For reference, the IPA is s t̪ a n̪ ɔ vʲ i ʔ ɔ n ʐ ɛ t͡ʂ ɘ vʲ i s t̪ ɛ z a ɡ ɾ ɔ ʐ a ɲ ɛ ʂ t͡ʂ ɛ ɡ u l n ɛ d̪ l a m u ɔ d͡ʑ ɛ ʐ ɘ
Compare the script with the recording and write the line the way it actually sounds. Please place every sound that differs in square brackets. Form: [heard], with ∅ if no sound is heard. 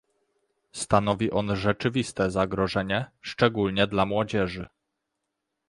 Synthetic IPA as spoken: s t̪ a n̪ ɔ vʲ i ʔ ɔ n ʐ ɛ t͡ʂ ɘ vʲ i s t̪ ɛ z a ɡ ɾ ɔ ʐ [ɛ] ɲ ɛ ʂ t͡ʂ ɛ ɡ u l [ɲ] ɛ d̪ l a m [w] ɔ d͡ʑ ɛ ʐ ɘ

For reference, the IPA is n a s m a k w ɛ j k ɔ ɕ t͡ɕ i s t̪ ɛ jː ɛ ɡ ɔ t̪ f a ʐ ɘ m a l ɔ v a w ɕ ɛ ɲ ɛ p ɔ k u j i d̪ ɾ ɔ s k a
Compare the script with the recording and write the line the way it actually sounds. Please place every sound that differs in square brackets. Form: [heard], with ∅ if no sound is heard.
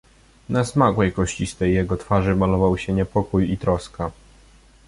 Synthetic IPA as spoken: n a s m a k w ɛ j k ɔ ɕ t͡ɕ i s t̪ ɛ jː ɛ ɡ ɔ t̪ f a ʐ ɘ m a l ɔ v a w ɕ ɛ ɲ ɛ p ɔ k u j i [t̪] ɾ ɔ s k a

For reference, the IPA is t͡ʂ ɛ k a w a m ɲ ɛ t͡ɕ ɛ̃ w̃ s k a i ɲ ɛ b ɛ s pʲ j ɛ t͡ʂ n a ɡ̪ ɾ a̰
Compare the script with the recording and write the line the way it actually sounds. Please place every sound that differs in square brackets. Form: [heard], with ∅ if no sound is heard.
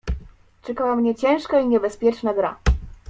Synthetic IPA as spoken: t͡ʂ ɛ k a w a m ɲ ɛ t͡ɕ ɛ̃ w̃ [ʂ] k a i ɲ ɛ b ɛ s pʲ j ɛ t͡ʂ n a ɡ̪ ɾ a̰

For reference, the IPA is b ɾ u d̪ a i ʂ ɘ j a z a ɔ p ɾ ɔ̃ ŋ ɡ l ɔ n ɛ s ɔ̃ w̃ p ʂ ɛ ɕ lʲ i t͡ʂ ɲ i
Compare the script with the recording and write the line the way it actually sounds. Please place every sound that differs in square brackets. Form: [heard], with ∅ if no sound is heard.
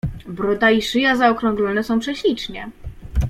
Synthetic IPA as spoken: b ɾ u d̪ a i ʂ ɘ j a z a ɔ [k] ɾ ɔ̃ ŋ ɡ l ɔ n ɛ s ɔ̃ w̃ p ʂ ɛ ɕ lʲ i t͡ʂ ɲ [ɛ]

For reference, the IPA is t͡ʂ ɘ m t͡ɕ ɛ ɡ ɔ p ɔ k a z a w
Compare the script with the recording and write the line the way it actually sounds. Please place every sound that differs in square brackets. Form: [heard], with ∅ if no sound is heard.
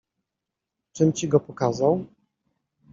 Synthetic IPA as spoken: t͡ʂ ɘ m t͡ɕ [i] ɡ ɔ p ɔ k a z a w

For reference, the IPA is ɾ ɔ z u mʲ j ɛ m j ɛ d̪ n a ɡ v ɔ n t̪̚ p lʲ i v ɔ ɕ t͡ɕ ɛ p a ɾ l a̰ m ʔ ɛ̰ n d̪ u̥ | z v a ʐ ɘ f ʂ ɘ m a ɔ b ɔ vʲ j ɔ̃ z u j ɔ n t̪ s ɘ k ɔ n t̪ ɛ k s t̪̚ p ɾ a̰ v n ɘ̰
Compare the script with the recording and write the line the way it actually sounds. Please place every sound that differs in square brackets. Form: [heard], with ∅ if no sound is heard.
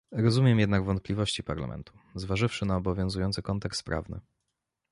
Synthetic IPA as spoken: ɾ ɔ z u mʲ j ɛ m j ɛ d̪ n a ɡ v ɔ n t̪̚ p lʲ i v ɔ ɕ t͡ɕ [i] p a ɾ l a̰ m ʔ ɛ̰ n [t̪] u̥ | z v a ʐ ɘ f ʂ ɘ [n] a ɔ b ɔ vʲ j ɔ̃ z u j ɔ n t̪ s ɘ k ɔ n t̪ ɛ k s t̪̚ p ɾ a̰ v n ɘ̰

